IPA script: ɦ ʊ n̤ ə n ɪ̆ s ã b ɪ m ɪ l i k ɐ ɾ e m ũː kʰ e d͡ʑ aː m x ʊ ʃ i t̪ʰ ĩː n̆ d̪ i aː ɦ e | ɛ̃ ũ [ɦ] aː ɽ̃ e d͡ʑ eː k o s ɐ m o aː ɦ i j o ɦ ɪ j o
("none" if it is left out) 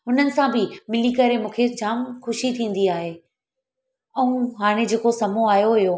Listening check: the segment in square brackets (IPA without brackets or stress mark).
ɦ